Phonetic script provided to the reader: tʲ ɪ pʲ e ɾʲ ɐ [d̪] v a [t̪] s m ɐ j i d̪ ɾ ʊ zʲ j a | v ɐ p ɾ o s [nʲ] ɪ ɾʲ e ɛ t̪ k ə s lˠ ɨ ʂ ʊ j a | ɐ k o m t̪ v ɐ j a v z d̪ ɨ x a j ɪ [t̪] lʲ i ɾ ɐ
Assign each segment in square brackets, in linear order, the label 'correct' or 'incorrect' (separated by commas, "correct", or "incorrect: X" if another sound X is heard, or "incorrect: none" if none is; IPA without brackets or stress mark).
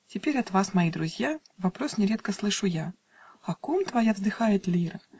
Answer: incorrect: t̪, incorrect: none, correct, correct